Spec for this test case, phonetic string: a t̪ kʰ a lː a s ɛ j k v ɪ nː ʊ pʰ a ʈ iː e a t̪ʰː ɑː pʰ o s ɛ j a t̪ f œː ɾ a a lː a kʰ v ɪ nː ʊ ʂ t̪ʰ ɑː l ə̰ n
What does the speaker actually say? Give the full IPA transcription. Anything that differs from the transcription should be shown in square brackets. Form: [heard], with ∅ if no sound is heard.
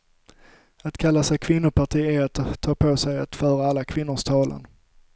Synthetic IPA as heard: a t̪ kʰ a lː a s ɛ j [kʰ] v ɪ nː ʊ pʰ a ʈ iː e a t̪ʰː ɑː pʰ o s ɛ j a t̪ f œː ɾ a a lː a kʰ v ɪ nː ʊ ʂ t̪ʰ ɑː l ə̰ n